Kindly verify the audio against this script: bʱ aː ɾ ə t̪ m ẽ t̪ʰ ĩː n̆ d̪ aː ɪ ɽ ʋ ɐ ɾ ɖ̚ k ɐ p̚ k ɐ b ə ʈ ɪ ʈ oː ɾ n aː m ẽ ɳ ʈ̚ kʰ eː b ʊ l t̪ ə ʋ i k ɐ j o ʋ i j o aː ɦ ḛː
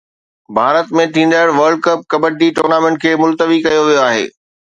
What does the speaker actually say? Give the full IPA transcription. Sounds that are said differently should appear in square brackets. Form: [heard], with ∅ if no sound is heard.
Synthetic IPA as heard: bʱ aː ɾ ə t̪ m ẽ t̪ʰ ĩː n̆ d̪ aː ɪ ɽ ʋ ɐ ɾ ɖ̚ k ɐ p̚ k ɐ b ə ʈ [i] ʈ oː ɾ n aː m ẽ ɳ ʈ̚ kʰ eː [m] ʊ l t̪ ə ʋ i k ɐ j o ʋ i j o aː ɦ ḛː